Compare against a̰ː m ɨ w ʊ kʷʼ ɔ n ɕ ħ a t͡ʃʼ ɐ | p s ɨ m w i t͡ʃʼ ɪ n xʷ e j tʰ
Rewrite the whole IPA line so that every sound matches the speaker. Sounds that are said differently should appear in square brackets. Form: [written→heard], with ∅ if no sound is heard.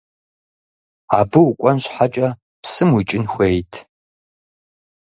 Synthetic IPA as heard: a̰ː [m→b] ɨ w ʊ kʷʼ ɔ n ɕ ħ a t͡ʃʼ ɐ | p s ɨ m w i t͡ʃʼ ɪ n xʷ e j tʰ